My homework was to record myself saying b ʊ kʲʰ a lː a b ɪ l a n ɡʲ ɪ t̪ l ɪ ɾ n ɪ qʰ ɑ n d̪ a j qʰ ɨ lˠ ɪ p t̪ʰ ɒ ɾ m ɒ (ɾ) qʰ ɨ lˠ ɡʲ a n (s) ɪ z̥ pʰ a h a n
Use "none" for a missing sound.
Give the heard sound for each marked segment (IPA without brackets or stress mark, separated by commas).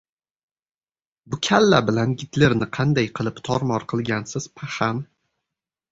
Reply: ɾ, s